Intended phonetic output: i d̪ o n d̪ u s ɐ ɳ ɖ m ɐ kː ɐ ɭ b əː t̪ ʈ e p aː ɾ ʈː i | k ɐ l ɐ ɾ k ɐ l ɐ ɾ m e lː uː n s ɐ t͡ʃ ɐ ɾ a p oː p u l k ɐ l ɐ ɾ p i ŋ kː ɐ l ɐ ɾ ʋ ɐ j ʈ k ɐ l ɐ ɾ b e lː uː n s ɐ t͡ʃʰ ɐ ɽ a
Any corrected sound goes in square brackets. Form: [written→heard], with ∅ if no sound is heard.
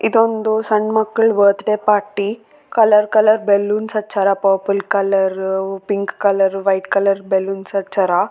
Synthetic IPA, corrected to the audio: i d̪ o n d̪ u s ɐ ɳ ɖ m ɐ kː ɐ ɭ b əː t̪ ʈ e p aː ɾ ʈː i | k ɐ l ɐ ɾ k ɐ l ɐ ɾ [m→b] e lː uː n s ɐ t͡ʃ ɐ ɾ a p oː p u l k ɐ l ɐ ɾ p i ŋ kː ɐ l ɐ ɾ ʋ ɐ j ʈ k ɐ l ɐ ɾ b e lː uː n s ɐ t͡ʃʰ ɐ [ɽ→ɾ] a